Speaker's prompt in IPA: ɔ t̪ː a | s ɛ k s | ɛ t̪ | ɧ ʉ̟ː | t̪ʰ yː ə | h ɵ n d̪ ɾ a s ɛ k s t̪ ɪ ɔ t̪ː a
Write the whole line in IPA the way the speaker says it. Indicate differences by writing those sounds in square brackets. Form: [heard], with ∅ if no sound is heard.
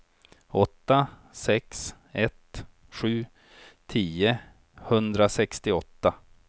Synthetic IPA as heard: ɔ t̪ː a | s ɛ k s | ɛ t̪ | ɧ ʉ̟ː | t̪ʰ [iː] ə | h ɵ n d̪ ɾ a s ɛ k s t̪ ɪ ɔ t̪ː a